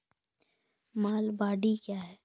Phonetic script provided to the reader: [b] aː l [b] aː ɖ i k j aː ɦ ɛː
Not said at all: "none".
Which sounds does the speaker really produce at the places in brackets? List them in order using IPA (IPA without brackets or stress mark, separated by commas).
m, b